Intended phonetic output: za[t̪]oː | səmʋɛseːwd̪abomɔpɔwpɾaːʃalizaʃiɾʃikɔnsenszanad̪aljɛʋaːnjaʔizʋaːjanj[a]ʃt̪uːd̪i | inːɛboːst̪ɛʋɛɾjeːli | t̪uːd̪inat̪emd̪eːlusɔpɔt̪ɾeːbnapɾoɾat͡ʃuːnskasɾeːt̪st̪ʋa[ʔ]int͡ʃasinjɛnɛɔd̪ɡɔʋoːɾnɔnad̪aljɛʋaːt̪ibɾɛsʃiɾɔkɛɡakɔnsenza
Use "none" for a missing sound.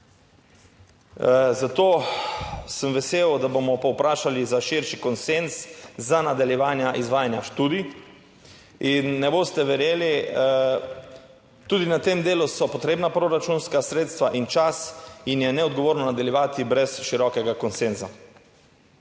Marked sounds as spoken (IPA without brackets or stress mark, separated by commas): t̪, a, ʔ